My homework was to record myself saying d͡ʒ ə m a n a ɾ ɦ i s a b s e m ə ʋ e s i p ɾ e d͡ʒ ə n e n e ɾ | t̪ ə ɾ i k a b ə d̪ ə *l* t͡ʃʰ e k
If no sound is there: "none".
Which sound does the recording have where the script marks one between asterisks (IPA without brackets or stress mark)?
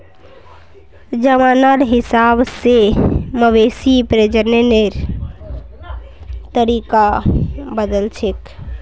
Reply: l